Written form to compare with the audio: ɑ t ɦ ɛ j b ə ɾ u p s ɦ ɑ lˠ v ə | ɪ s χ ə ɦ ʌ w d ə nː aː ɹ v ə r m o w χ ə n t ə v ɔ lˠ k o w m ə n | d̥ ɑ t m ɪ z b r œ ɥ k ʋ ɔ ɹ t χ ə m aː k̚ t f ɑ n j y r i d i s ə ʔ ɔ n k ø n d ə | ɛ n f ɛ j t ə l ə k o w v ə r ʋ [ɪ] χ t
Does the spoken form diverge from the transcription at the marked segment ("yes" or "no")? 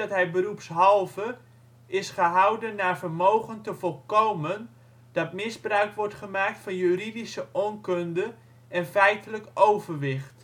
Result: no